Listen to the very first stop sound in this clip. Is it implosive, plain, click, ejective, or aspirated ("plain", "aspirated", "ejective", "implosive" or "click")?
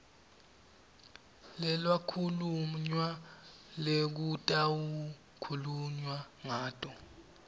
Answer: aspirated